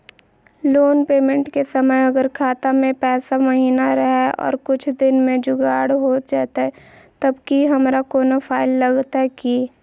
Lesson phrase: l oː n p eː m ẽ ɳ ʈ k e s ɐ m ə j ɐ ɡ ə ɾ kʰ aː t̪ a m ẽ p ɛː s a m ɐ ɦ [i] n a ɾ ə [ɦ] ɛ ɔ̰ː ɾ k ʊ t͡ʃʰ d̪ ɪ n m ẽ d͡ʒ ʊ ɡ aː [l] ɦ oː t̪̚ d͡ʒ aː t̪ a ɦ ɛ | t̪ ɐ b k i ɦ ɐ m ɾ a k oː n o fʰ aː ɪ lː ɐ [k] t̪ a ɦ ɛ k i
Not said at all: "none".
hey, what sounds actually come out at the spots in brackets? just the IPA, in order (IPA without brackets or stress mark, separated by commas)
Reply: iː, ɦ, ɽ, ɡ